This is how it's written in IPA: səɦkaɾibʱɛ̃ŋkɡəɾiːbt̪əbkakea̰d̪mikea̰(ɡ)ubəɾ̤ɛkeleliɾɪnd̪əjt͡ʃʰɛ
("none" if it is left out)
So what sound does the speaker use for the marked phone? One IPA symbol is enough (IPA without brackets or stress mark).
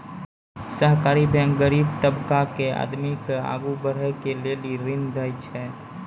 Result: ɡ